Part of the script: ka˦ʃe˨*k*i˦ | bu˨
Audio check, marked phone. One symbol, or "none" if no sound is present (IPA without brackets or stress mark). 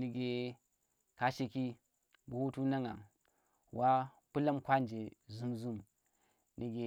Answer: k